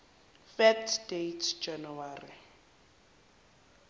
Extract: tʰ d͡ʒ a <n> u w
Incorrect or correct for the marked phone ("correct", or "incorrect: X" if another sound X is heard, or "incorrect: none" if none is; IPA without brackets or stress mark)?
correct